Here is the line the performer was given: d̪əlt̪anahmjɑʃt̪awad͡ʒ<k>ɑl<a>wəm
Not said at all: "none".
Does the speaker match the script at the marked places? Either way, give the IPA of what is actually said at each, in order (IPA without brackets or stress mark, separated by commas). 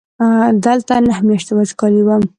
k, i